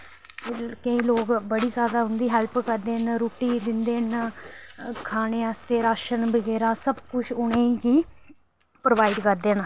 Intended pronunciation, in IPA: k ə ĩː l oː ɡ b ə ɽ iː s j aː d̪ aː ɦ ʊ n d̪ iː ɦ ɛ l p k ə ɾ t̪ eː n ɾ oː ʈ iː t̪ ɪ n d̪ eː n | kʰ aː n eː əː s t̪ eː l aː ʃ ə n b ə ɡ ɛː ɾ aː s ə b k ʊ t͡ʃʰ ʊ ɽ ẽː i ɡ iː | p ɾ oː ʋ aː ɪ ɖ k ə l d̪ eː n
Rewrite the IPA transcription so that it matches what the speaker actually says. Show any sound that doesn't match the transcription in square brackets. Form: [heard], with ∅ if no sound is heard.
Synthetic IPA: k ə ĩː l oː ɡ b ə ɽ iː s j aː d̪ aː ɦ ʊ n d̪ iː ɦ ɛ l p k ə ɾ [d̪] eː n ɾ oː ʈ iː [d̪] ɪ n d̪ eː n | kʰ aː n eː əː s t̪ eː [ɾ] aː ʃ ə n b ə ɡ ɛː ɾ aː s ə b k ʊ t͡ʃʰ ʊ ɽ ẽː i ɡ iː | p ɾ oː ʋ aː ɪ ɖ k ə [ɾ] d̪ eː n